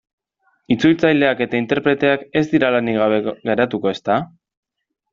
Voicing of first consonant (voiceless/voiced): voiceless